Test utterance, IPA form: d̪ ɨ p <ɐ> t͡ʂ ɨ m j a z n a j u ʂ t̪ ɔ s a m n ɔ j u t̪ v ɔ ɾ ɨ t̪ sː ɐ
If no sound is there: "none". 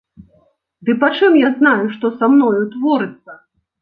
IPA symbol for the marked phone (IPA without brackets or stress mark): a